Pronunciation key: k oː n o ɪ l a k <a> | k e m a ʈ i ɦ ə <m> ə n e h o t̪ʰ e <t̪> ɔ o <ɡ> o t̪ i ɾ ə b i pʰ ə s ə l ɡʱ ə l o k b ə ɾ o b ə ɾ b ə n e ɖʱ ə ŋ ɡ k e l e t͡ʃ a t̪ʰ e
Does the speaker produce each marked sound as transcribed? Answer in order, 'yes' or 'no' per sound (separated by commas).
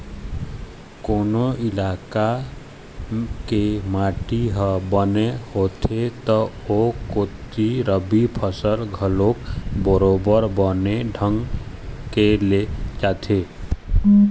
yes, no, yes, no